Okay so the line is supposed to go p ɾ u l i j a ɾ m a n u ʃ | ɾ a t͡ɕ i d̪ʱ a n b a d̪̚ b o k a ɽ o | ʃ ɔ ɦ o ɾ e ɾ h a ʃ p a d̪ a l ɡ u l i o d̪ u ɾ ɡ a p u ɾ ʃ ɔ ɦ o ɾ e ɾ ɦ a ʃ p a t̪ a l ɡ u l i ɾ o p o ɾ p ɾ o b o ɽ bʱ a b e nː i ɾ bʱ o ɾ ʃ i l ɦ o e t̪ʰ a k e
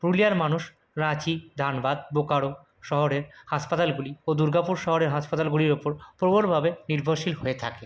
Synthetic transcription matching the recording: p ɾ u l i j a ɾ m a n u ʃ | ɾ a t͡ɕ i d̪ʱ a n b a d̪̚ b o k a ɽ o | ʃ ɔ ɦ o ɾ e ɾ h a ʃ p a t̪ a l ɡ u l i o d̪ u ɾ ɡ a p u ɾ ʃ ɔ ɦ o ɾ e ɾ ɦ a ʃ p a t̪ a l ɡ u l i ɾ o p o ɾ p ɾ o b o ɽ bʱ a b e n i ɾ bʱ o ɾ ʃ i l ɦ o e t̪ʰ a k e